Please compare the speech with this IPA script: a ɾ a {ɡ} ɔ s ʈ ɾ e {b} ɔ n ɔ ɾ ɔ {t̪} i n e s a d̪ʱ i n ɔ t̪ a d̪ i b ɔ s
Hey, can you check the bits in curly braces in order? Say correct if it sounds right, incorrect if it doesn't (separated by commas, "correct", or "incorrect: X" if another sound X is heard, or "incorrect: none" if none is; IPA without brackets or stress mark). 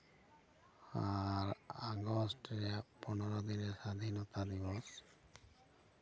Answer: correct, incorrect: p, incorrect: d̪